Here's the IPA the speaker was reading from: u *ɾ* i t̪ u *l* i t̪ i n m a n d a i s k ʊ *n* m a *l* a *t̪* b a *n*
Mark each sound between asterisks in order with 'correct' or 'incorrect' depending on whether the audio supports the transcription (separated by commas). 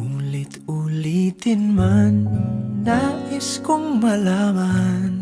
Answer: incorrect, correct, incorrect, correct, incorrect, correct